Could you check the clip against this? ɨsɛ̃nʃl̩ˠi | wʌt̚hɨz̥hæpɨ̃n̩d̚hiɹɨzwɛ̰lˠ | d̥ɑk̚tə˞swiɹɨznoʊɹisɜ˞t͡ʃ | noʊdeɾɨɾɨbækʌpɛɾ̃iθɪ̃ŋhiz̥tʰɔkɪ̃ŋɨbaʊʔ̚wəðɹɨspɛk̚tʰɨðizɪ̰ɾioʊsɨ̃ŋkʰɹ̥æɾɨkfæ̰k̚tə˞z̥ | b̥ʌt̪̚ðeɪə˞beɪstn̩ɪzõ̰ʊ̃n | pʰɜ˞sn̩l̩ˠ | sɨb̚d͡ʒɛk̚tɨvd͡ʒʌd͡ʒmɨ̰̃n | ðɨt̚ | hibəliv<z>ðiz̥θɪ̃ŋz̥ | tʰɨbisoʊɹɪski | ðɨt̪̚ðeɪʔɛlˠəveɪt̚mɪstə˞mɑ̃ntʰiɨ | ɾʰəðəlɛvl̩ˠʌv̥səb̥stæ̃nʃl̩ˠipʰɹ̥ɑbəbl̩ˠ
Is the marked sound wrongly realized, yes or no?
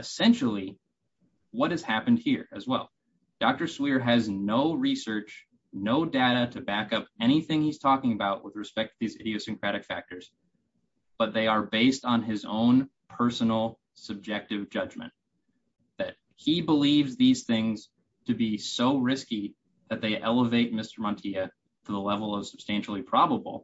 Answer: no